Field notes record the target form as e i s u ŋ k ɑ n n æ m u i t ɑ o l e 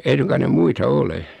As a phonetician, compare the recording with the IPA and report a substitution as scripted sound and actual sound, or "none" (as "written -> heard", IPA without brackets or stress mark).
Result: æ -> e